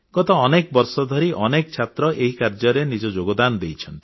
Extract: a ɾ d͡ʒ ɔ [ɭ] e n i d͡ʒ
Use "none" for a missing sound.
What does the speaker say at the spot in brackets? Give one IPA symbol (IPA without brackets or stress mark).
ɾ